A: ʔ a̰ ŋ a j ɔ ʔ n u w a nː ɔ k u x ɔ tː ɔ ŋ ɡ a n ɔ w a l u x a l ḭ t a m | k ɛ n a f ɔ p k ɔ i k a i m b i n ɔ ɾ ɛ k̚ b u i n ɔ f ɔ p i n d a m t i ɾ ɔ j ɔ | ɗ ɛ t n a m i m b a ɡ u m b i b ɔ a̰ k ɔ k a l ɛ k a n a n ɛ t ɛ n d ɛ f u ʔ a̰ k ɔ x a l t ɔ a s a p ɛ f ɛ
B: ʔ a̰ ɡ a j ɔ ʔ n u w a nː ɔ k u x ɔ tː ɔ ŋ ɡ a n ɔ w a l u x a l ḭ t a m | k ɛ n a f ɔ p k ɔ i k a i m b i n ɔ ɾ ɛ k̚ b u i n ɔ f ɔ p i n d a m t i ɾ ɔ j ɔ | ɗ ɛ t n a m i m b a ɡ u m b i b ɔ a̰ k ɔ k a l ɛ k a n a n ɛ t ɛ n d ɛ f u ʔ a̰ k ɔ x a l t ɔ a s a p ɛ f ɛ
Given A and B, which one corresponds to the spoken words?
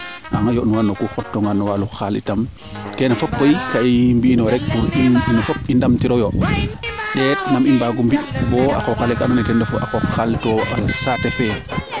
A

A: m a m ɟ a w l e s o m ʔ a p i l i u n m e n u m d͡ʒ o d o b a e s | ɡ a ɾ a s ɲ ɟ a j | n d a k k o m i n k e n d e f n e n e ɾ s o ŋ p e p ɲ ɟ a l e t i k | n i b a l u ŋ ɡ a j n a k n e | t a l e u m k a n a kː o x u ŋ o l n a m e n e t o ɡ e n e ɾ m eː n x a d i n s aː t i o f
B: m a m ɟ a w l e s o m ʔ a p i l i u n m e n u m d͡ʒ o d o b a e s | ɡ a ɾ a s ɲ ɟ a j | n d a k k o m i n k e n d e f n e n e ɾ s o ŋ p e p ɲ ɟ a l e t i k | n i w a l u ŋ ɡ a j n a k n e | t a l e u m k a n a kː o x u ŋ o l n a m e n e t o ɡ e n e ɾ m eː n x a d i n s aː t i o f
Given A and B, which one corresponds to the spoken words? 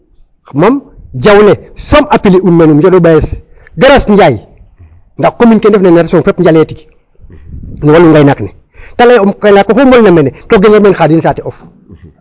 B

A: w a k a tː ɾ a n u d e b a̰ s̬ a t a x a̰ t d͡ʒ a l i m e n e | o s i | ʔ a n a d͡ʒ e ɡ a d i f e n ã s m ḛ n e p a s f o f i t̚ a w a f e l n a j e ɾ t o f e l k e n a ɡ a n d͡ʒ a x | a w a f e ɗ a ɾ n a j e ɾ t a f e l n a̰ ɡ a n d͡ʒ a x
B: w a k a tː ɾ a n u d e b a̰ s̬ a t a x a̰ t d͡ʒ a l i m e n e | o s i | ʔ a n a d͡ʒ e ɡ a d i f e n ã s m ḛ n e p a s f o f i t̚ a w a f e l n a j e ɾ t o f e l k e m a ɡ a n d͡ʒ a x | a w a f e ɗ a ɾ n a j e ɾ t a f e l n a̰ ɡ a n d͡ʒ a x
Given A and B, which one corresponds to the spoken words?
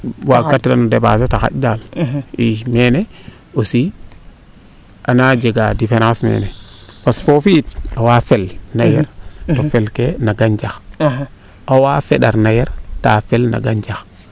A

